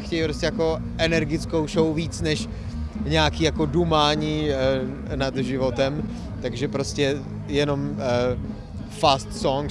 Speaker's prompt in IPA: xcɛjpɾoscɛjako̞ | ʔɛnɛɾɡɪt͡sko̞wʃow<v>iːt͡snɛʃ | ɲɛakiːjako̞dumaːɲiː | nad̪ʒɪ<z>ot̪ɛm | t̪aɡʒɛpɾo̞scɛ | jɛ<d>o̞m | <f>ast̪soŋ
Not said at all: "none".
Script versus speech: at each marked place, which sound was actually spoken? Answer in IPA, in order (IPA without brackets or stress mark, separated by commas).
v, v, n, f